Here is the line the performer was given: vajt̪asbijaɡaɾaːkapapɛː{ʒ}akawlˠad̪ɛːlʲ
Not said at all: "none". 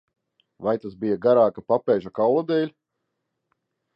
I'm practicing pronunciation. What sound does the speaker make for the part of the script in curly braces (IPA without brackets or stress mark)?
ʒ